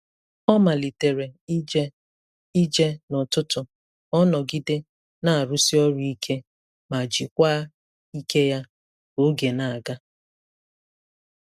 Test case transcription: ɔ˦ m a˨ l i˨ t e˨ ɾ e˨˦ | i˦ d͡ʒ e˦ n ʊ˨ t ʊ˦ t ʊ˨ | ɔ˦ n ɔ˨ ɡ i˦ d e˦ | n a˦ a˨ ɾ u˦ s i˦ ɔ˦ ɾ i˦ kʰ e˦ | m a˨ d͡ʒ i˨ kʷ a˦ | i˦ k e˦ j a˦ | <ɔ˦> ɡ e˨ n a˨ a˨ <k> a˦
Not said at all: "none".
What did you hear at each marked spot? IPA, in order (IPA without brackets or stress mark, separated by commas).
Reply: o˦, ɡ